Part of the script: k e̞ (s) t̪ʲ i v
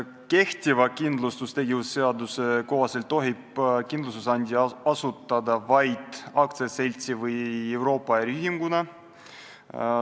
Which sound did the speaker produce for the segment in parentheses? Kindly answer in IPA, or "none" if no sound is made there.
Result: h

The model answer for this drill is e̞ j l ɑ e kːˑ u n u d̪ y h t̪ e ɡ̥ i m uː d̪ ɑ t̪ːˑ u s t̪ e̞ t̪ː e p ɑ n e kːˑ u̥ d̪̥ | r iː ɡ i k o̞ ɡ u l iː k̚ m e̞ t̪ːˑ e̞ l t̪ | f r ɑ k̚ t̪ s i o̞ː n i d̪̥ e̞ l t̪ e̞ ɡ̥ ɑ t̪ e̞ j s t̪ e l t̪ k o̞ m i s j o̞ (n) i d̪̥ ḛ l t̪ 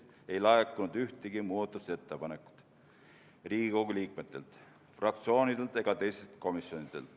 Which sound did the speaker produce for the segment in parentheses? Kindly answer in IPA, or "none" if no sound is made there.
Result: n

